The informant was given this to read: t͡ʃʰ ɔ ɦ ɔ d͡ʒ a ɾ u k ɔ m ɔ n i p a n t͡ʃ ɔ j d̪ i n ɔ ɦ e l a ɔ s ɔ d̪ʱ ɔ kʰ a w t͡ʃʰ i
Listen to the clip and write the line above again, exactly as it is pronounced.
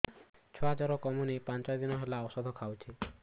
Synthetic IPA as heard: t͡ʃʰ ɔ ɦ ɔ d͡ʒ a ɾ ɔ k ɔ m u n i p a n t͡ʃ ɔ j d̪ i n ɔ ɦ e l a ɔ s ɔ d̪ʱ ɔ kʰ a w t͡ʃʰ i